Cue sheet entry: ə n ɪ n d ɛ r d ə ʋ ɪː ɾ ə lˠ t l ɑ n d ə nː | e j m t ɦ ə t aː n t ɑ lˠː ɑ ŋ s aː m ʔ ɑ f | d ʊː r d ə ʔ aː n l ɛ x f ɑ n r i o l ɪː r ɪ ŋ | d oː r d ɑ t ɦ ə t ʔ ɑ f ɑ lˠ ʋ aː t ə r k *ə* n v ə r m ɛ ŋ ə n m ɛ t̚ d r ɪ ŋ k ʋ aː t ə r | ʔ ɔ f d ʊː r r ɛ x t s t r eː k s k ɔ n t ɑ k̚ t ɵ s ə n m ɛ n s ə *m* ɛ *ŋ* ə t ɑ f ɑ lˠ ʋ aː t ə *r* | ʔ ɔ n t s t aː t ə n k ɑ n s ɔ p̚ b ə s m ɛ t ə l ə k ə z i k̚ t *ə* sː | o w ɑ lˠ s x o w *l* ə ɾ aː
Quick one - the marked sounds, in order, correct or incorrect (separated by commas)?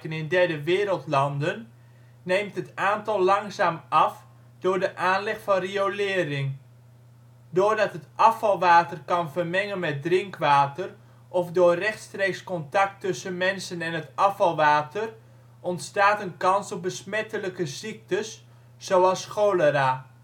incorrect, incorrect, incorrect, correct, correct, correct